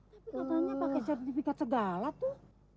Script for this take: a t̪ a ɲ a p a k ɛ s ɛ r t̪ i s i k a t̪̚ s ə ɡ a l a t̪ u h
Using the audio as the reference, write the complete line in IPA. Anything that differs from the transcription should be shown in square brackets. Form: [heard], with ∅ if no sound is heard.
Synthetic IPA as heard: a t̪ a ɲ a p a k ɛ s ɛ r t̪ i [f] i k a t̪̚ s ə ɡ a l a t̪ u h